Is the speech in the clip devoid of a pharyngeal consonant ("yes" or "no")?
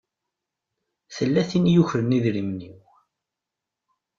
yes